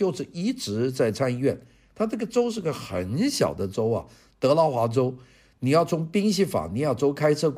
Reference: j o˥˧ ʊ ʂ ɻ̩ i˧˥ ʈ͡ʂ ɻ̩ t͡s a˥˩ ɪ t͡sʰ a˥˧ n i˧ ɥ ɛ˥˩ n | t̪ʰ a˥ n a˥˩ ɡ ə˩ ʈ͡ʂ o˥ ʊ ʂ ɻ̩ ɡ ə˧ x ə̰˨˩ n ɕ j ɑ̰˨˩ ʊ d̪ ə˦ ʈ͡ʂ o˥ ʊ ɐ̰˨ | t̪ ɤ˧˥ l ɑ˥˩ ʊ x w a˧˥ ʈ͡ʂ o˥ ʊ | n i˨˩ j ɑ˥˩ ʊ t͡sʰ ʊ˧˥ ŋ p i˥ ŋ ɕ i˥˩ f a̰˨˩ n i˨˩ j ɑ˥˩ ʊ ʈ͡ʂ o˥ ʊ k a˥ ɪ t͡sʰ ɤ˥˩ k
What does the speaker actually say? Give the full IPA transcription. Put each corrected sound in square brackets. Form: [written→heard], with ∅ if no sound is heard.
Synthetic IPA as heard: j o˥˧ ʊ ʂ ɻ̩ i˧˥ ʈ͡ʂ ɻ̩ t͡s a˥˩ ɪ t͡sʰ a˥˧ n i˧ ɥ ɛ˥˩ n | t̪ʰ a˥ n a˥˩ ɡ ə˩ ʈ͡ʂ o˥ ʊ ʂ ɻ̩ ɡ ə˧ x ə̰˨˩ n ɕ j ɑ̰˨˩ ʊ d̪ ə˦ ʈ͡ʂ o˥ ʊ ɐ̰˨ | t̪ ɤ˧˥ l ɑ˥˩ ʊ x w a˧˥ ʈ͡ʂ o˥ ʊ | n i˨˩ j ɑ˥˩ ʊ t͡sʰ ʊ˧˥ ŋ p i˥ ŋ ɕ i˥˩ f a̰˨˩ n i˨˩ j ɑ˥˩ ʊ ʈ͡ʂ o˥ ʊ [k→kʰ] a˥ ɪ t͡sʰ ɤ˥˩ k